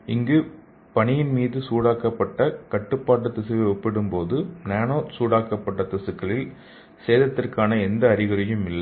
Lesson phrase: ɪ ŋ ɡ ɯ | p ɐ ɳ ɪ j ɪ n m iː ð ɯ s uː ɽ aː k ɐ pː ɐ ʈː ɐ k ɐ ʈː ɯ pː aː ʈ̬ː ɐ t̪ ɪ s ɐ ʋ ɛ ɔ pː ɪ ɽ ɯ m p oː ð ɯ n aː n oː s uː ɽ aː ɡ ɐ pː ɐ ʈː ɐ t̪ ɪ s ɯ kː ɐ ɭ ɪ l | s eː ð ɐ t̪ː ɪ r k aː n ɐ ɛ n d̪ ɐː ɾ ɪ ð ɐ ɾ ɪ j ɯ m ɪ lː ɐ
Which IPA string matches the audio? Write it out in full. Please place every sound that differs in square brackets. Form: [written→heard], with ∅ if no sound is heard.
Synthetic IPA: ɪ ŋ ɡ ɯ | p ɐ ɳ ɪ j ɪ n m iː ð ɯ s uː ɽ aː k ɐ pː ɐ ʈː ɐ k ɐ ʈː ɯ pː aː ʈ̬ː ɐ t̪ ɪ s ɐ ʋ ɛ ɔ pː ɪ ɽ ɯ m p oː ð ɯ n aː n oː s uː ɽ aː [ɡ→k] ɐ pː ɐ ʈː ɐ t̪ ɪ s ɯ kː ɐ ɭ ɪ l | s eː ð ɐ t̪ː ɪ r k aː n ɐ ɛ n d̪ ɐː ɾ ɪ [ð→ɣ] ɐ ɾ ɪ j ɯ m ɪ lː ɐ